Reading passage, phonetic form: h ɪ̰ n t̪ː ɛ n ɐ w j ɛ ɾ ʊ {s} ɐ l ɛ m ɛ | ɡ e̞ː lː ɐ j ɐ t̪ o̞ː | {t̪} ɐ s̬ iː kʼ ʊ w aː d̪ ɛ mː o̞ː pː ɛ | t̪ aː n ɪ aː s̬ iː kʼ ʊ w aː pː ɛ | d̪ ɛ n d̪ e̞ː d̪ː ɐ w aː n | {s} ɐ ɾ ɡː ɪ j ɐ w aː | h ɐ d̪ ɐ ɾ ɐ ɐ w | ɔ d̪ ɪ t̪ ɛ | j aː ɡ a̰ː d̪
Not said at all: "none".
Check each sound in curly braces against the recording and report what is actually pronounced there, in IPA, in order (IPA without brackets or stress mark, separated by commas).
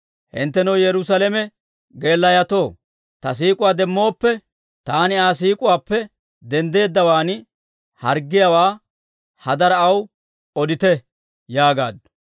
s, t̪, h